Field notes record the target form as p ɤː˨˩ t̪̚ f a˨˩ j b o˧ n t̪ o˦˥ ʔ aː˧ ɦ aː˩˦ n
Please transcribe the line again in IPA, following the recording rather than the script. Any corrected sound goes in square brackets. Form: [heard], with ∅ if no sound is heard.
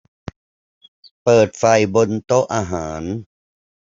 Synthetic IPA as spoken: p ɤː˨˩ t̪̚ f a˨˩ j b o˧ n t̪ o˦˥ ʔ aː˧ ɦ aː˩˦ n